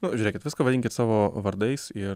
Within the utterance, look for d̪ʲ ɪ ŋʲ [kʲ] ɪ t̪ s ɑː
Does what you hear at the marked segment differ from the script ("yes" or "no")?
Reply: no